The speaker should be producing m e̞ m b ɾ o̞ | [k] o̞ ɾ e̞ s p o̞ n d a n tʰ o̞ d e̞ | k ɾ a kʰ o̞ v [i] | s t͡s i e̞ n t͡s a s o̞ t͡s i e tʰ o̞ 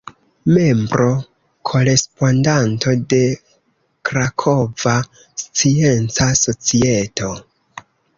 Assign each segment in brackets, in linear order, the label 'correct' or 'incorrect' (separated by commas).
incorrect, incorrect